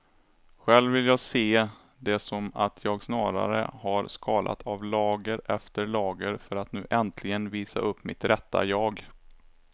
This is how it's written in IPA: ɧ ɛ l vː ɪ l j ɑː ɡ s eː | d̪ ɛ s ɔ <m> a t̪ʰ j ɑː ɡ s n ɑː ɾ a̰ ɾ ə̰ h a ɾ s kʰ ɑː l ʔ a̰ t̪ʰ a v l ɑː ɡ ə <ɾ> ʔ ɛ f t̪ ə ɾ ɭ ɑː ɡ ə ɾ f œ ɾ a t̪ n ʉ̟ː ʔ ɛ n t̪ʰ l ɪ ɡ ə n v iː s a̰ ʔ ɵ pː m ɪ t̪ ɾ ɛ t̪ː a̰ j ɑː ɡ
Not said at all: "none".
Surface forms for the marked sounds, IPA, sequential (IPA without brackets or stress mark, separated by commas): m, ɾ